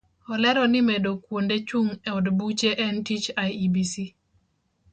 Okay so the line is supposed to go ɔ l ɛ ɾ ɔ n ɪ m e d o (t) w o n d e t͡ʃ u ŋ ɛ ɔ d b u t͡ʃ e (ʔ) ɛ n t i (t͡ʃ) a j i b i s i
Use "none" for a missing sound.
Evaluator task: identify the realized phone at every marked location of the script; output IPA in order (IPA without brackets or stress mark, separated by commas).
k, ʔ, t͡ʃ